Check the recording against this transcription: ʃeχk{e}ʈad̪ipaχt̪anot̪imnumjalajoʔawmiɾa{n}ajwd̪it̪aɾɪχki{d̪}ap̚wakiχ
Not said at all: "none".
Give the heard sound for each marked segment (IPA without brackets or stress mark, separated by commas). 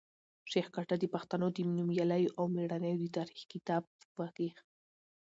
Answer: a, n, t̪